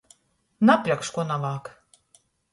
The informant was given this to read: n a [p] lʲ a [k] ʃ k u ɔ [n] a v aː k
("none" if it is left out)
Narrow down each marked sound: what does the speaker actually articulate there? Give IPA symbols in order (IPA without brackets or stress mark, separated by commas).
p, k, n